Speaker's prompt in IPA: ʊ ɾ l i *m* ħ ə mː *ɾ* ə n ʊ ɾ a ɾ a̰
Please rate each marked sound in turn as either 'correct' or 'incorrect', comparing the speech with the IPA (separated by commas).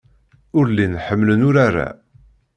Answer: incorrect, incorrect